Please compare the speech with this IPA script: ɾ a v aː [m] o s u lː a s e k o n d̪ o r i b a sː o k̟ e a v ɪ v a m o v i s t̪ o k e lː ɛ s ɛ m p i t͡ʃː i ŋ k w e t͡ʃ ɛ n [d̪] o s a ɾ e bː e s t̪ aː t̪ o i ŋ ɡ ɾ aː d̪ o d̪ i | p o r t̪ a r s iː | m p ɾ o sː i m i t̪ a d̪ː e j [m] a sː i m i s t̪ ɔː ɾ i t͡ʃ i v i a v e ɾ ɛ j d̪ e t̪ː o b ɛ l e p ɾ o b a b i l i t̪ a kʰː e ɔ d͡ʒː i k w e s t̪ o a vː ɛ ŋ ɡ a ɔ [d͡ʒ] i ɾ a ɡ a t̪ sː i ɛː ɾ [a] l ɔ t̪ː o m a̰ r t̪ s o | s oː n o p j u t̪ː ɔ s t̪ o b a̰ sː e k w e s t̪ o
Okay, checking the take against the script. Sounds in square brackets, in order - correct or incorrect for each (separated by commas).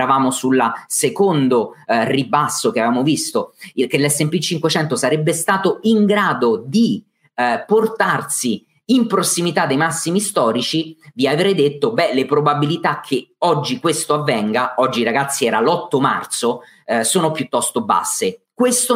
correct, incorrect, correct, incorrect, correct